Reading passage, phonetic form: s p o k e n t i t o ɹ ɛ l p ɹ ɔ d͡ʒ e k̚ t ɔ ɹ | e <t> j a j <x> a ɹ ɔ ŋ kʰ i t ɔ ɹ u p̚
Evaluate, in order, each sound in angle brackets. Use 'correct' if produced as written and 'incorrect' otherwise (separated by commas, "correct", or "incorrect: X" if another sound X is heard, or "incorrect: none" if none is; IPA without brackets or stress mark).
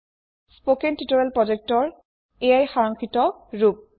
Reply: incorrect: none, correct